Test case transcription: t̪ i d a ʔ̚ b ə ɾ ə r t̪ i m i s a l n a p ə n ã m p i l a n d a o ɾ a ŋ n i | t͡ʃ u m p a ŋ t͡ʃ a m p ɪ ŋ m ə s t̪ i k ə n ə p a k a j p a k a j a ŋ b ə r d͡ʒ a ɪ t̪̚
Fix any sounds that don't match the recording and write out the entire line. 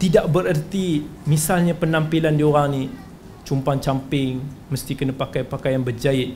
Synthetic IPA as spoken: t̪ i d a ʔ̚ b ə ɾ ə r t̪ i m i s a l ɲ a p ə n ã m p i l a n d i o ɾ a ŋ n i | t͡ʃ u m p a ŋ t͡ʃ a m p ɪ ŋ m ə s t̪ i k ə n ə p a k a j p a k a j a n b ə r d͡ʒ a ɪ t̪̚